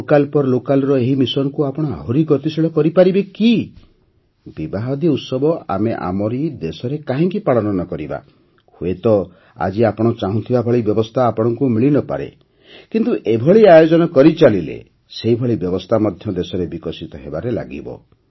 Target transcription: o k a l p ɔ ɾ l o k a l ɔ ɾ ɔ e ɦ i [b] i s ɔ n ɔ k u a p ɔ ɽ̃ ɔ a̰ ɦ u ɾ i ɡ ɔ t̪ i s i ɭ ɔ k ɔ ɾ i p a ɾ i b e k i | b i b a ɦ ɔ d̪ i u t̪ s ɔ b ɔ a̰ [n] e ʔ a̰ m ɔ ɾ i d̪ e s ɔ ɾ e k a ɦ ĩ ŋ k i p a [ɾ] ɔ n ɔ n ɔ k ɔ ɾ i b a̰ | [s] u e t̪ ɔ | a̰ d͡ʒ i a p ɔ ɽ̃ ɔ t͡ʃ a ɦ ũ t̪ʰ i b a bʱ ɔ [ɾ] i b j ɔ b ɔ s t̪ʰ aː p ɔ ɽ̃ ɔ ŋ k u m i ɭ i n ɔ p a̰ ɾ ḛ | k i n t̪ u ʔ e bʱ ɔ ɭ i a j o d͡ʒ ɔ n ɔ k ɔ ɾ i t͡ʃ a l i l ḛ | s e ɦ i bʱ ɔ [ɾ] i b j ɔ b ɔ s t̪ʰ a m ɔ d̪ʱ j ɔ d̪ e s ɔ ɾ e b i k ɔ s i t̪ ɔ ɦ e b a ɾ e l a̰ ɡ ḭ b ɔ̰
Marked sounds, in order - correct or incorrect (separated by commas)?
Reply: incorrect, incorrect, incorrect, incorrect, incorrect, incorrect